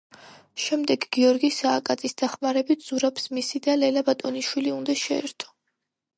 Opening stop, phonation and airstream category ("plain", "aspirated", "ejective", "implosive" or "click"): plain